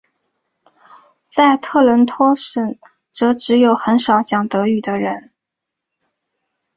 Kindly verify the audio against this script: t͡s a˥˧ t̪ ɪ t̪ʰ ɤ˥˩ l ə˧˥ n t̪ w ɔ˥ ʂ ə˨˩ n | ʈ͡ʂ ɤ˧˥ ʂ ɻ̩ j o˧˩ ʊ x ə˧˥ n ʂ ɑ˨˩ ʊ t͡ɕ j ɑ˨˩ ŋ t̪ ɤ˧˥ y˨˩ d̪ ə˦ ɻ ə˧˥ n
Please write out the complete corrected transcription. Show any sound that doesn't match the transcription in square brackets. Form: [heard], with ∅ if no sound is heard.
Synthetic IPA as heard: t͡s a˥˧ [∅] ɪ t̪ʰ ɤ˥˩ l ə˧˥ n [t̪ʰ] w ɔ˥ ʂ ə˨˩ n | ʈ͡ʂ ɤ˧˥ [ʈ͡ʂ] ɻ̩ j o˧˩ ʊ x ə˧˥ n ʂ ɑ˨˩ ʊ t͡ɕ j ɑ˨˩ ŋ t̪ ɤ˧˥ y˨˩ d̪ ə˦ ɻ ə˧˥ n